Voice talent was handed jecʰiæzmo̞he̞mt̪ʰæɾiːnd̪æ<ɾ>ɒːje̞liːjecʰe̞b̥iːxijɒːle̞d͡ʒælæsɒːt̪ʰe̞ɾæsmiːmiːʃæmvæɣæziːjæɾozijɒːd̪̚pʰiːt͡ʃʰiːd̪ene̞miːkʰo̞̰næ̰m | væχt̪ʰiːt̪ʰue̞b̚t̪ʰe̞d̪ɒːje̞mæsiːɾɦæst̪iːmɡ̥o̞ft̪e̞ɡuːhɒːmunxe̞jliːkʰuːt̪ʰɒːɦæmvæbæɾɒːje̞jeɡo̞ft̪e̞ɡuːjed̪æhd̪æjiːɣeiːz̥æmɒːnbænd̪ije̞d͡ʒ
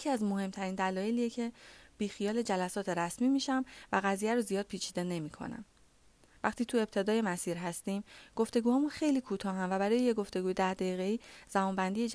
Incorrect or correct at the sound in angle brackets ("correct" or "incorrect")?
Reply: incorrect